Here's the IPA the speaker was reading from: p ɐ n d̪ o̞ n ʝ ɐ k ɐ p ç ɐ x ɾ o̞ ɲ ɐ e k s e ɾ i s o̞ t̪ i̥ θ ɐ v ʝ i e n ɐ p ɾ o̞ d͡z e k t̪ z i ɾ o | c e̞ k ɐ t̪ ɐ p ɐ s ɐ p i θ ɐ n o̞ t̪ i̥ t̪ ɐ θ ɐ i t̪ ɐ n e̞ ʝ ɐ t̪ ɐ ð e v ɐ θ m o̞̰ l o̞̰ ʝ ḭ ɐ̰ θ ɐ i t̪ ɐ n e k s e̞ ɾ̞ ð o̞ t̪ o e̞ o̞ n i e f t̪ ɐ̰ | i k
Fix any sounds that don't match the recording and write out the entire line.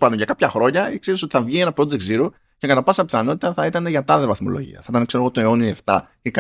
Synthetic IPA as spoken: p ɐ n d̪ o̞ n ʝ ɐ k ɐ p ç ɐ x ɾ o̞ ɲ ɐ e k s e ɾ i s o̞ t̪ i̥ θ ɐ v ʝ i e n ɐ p ɾ o̞ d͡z e k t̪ z i ɾ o | c e̞ k ɐ t̪ ɐ p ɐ s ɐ p i θ ɐ n o̞ t̪ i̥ t̪ ɐ θ ɐ i t̪ ɐ n e̞ ʝ ɐ t̪ ɐ ð e v ɐ θ m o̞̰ l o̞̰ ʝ ḭ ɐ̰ θ ɐ i t̪ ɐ n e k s e̞ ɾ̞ ɣ o̞ t̪ o e̞ o̞ n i e f t̪ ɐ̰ | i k